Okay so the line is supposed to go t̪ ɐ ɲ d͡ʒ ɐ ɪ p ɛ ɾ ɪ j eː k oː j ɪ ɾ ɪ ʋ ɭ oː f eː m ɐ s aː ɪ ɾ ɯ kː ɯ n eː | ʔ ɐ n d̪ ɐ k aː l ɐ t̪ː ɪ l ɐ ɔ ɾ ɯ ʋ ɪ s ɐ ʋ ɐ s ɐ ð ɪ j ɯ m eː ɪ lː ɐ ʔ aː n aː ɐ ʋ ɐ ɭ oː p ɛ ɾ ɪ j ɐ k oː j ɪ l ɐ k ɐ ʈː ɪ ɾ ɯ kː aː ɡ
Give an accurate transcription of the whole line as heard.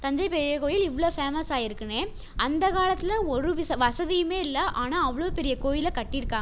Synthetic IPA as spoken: t̪ ɐ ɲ d͡ʒ ɐ ɪ p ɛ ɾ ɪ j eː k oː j ɪ l ɪ ʋ ɭ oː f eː m ɐ s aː ɪ ɾ ɯ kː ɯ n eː | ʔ ɐ n d̪ ɐ k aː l ɐ t̪ː ɪ l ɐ ɔ ɾ ɯ ʋ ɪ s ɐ ʋ ɐ s ɐ ð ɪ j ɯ m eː ɪ lː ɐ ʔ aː n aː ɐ ʋ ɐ ɭ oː p ɛ ɾ ɪ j ɐ k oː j ɪ l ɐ k ɐ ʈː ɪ ɾ ɯ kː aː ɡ